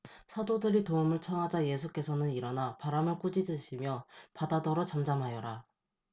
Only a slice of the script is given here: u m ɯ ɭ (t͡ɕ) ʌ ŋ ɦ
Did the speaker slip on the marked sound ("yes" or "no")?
yes